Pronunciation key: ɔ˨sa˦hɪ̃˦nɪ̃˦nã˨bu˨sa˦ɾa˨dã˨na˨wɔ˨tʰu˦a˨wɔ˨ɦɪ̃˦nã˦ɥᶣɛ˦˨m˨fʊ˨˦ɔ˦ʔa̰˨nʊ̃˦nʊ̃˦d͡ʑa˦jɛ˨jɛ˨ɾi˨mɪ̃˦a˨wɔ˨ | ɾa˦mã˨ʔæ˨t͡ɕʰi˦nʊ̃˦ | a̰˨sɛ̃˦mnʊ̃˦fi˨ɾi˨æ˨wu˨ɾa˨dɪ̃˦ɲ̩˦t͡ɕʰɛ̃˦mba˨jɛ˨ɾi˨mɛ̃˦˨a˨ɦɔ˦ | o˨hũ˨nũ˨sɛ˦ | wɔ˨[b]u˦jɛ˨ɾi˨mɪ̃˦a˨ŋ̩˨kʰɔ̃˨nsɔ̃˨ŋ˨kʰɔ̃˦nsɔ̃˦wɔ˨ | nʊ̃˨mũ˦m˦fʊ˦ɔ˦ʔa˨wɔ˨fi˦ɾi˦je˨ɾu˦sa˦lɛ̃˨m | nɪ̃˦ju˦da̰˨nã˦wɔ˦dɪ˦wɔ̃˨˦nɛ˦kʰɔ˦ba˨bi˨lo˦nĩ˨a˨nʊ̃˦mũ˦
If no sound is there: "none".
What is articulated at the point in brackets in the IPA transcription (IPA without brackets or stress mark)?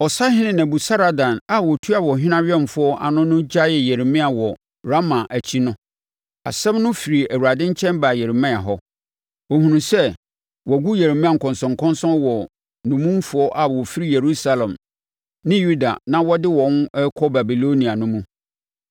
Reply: ɡ